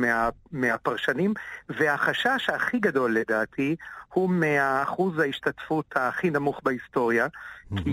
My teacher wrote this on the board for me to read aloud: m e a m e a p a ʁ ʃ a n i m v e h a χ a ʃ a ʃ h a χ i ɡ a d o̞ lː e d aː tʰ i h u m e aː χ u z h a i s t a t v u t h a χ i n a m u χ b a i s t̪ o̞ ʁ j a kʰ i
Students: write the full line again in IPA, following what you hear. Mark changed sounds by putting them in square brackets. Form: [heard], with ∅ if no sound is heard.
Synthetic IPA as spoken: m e a m e a p a ʁ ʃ a n i m v e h a χ a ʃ a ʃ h a χ i ɡ a d o̞ lː e d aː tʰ i h u m e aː χ u z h a i [ʃ] t a t [f] u t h a χ i n a m u χ b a i s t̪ o̞ ʁ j a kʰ i